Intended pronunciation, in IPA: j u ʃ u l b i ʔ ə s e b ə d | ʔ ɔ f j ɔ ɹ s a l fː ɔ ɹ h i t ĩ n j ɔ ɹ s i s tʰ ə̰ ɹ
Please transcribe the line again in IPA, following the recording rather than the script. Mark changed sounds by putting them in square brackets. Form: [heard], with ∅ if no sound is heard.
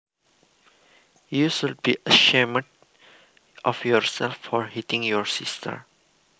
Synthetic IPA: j u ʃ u l b i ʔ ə [ʃ] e [m] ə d | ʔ ɔ f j ɔ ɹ s [ɛ] l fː ɔ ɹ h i t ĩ [ŋ] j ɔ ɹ s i s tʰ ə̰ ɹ